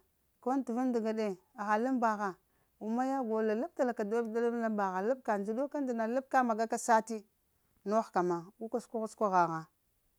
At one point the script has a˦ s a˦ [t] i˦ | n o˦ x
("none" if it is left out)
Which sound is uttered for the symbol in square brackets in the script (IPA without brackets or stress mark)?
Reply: t